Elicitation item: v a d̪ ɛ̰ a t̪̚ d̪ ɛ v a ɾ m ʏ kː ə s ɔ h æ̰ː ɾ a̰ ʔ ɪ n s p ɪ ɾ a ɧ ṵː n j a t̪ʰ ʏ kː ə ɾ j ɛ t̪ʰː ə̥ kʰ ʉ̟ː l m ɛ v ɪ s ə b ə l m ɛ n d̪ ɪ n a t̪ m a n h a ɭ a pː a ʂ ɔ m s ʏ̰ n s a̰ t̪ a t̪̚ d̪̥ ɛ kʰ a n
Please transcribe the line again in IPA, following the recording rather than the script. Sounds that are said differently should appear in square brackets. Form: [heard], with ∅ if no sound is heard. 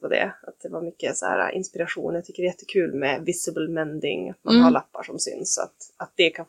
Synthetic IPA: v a d̪ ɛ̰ a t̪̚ d̪ ɛ v a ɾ m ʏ kː ə s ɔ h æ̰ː ɾ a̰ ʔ ɪ n s p ɪ ɾ a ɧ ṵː n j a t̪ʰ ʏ kː ə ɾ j ɛ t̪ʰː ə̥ kʰ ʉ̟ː l m ɛ v ɪ s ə b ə l m ɛ n d̪ ɪ [ŋ] a t̪ m a n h a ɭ a pː a ʂ ɔ m s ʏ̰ n s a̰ t̪ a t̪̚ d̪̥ ɛ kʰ a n